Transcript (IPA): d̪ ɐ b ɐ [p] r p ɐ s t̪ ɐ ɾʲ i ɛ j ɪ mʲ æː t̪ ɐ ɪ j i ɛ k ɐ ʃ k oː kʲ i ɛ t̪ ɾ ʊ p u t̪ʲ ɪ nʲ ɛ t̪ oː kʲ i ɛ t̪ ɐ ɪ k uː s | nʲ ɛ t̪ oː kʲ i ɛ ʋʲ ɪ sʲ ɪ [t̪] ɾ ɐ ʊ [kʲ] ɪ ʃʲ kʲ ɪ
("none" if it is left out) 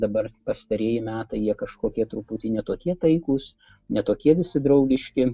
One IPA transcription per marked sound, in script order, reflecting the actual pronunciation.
none, d̪, ɡʲ

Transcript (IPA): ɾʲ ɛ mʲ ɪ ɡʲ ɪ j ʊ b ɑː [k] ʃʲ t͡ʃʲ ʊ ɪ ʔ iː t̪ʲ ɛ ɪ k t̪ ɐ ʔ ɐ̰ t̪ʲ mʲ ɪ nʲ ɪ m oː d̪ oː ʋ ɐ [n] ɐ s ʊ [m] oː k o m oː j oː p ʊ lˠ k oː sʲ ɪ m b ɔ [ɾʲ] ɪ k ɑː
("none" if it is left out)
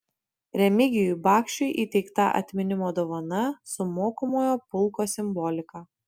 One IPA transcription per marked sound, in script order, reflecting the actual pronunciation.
k, n, m, lʲ

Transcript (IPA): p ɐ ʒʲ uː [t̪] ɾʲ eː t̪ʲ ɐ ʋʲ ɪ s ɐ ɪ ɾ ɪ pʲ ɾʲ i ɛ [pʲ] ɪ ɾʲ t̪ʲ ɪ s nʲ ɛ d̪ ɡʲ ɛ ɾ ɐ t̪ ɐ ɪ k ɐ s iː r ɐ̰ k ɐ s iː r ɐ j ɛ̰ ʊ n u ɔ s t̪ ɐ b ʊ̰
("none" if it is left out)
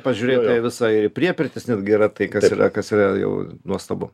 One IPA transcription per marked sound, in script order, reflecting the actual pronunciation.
none, pʲ

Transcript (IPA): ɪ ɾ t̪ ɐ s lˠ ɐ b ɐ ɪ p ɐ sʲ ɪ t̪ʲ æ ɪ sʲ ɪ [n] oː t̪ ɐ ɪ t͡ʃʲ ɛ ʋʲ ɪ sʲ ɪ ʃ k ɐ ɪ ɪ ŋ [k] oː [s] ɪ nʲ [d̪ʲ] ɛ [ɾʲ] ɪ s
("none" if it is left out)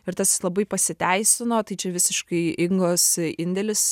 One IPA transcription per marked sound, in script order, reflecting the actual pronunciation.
n, ɡ, s, d̪ʲ, lʲ

